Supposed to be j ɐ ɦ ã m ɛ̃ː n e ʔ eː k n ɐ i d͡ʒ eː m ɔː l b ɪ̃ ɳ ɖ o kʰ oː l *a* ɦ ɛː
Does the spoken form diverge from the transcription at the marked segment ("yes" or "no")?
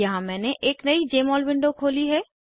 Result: yes